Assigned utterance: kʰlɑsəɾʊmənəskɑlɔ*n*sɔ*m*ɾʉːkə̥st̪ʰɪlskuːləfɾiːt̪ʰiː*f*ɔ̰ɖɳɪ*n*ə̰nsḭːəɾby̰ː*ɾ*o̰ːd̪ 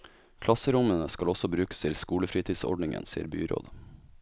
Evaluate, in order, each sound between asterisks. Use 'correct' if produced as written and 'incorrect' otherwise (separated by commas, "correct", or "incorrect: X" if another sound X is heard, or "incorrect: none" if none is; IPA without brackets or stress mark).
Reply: incorrect: none, incorrect: b, incorrect: s, incorrect: ŋ, correct